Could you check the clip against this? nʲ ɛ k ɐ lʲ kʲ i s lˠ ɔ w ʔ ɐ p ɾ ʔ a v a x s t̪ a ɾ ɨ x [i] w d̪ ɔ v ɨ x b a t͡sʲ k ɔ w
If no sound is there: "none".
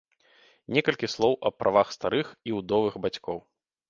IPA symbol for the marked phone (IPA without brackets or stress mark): i